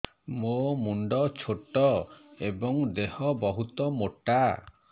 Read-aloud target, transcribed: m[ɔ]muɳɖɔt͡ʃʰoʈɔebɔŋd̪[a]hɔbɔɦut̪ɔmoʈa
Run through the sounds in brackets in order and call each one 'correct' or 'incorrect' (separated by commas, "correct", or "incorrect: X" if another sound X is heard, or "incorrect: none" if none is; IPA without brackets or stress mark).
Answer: incorrect: o, incorrect: e